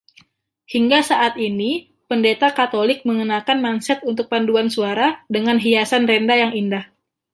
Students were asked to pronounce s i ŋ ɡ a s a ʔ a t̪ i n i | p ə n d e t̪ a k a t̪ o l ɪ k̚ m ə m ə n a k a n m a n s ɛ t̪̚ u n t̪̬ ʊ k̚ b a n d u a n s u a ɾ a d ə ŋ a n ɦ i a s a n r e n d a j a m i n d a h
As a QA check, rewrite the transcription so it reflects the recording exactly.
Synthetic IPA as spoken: h i ŋ ɡ a s a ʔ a t̪ i n i | p ə n d e t̪ a k a t̪ o l ɪ k̚ m ə ŋ ə n a k a n m a n s ɛ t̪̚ u n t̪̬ ʊ k̚ p a n d u a n s u a ɾ a d ə ŋ a n ɦ i a s a n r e n d a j a ŋ i n d a h